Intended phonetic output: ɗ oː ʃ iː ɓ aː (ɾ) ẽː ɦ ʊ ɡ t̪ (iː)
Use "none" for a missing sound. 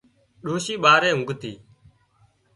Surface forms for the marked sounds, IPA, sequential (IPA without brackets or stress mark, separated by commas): ɾ, iː